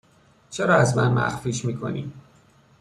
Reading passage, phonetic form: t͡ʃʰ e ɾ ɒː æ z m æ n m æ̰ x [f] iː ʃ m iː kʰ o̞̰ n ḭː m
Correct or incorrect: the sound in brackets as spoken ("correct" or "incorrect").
correct